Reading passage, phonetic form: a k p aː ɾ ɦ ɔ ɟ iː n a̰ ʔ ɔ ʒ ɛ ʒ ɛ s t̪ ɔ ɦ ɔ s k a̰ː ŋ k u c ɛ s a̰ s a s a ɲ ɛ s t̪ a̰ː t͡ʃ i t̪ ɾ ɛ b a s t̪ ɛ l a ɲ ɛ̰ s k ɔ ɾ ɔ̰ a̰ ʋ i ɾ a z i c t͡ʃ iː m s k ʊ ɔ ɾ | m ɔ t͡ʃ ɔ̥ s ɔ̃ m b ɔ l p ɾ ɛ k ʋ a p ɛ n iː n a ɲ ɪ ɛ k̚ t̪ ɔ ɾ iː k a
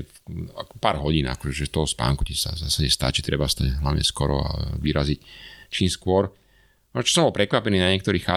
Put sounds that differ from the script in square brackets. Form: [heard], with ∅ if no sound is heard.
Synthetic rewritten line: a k p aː ɾ ɦ ɔ ɟ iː n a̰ [k] ɔ ʒ ɛ ʒ ɛ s t̪ ɔ ɦ ɔ s [p] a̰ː ŋ k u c ɛ s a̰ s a s a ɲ ɛ s t̪ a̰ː t͡ʃ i t̪ ɾ ɛ b a s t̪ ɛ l a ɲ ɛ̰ s k ɔ ɾ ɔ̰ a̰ ʋ i ɾ a z i c t͡ʃ iː m s k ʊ ɔ ɾ | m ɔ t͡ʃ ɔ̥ s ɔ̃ m b ɔ l p ɾ ɛ k ʋ a p ɛ n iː n a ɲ ɪ ɛ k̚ t̪ ɔ ɾ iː [x] a